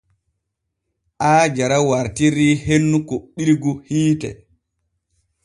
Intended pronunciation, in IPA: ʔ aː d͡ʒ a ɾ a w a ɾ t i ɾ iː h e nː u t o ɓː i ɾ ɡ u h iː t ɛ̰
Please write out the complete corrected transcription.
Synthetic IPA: ʔ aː d͡ʒ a ɾ a w a ɾ t i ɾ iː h e nː u k o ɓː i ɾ ɡ u h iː t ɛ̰